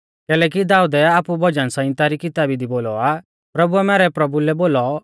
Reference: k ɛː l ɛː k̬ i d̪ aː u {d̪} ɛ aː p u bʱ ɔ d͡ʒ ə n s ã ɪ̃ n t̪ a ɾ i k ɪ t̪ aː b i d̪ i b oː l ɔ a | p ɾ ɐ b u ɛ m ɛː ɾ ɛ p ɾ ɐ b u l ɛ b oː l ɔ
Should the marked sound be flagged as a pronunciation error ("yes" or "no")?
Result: no